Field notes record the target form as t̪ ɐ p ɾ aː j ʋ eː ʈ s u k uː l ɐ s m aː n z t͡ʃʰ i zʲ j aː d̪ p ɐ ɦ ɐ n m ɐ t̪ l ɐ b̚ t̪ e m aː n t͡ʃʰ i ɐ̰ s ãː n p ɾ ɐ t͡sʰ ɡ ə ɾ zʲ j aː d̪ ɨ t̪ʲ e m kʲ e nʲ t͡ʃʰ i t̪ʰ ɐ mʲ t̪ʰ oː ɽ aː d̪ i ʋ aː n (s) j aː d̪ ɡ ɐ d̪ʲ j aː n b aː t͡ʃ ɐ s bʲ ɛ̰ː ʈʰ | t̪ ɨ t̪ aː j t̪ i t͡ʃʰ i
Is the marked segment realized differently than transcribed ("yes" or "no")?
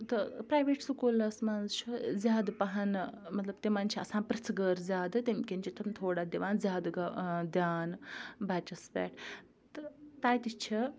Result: yes